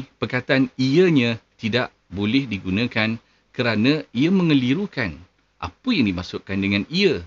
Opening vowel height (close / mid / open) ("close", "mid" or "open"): mid